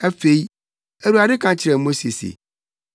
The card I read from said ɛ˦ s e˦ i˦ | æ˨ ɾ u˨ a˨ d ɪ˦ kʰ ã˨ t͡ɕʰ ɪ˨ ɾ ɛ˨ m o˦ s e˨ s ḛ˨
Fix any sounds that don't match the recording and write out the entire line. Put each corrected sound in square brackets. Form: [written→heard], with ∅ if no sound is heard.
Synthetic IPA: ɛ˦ [s→f] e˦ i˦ | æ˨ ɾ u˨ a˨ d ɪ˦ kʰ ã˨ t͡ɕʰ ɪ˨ ɾ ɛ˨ m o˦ s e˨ s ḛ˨

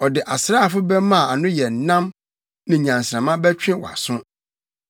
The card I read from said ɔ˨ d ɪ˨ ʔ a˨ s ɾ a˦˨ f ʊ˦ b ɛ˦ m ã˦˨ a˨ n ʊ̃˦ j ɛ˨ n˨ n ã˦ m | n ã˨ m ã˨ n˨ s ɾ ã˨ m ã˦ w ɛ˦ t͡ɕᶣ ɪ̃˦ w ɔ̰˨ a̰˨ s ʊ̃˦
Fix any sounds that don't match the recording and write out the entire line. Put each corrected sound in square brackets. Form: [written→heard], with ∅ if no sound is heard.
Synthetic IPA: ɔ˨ d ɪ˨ ʔ a˨ s ɾ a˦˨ f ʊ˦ b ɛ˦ m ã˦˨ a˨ n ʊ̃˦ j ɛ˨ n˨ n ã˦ m | n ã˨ [m→ɲ] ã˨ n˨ s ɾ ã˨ m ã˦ [w→b] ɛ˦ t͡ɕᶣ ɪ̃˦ w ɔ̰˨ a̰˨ s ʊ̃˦

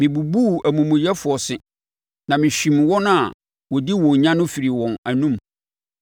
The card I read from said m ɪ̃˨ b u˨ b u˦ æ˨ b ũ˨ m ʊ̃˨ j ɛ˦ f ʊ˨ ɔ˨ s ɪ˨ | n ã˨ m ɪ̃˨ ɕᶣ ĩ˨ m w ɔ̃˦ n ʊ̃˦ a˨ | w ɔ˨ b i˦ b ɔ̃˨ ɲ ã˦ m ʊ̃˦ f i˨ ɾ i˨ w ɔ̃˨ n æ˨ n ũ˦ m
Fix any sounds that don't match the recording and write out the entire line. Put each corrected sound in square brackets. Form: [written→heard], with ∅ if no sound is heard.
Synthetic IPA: m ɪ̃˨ b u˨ b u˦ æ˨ [b→m] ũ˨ m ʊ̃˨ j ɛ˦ f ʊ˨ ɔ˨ s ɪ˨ | n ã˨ m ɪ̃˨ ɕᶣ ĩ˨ m w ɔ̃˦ n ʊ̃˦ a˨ | w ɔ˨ [b→d] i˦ [b→w] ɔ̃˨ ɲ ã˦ [m→n] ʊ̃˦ f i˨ ɾ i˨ w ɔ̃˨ n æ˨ n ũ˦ m

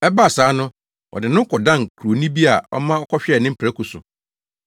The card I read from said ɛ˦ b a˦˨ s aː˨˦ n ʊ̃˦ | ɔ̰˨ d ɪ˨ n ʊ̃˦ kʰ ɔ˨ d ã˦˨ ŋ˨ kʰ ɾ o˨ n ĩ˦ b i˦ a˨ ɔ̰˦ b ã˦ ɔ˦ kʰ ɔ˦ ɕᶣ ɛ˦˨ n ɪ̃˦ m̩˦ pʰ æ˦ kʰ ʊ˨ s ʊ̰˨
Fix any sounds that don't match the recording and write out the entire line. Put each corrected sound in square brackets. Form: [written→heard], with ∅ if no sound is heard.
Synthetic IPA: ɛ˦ b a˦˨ s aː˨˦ n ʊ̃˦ | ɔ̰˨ d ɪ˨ n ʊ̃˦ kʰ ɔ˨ d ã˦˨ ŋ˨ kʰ ɾ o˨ n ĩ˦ b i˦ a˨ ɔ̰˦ [b→m] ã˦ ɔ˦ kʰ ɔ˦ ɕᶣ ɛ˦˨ n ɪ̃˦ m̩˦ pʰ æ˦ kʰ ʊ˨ s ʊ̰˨

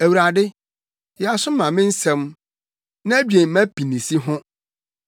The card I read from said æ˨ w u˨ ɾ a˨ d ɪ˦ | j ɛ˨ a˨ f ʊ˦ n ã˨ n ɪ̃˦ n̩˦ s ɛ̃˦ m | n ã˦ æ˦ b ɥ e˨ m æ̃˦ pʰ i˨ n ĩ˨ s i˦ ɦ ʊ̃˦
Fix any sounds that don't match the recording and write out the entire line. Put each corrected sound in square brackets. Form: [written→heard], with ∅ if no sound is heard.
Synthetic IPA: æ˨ w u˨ ɾ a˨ d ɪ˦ | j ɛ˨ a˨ [f→s] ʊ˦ [n→m] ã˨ [n→m] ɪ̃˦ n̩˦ s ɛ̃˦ m | n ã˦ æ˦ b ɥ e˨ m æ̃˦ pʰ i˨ n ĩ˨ s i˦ ɦ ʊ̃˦

